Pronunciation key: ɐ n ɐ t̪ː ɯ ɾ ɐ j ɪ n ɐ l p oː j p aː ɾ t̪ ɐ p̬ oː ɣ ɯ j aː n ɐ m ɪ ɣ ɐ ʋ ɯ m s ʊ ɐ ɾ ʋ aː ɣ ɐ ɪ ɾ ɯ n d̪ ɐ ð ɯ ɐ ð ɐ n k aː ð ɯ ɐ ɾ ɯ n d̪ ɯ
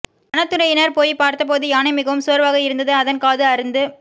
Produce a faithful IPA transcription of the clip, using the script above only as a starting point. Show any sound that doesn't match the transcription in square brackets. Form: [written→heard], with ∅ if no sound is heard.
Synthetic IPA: ɐ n ɐ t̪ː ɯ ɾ ɐ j ɪ n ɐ [l→ɾ] p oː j p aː ɾ t̪ ɐ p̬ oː [ɣ→ð] ɯ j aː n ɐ m ɪ ɣ ɐ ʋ ɯ m s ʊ ɐ ɾ ʋ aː ɣ ɐ ɪ ɾ ɯ n d̪ ɐ ð ɯ ɐ ð ɐ n k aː ð ɯ ɐ ɾ ɯ n d̪ ɯ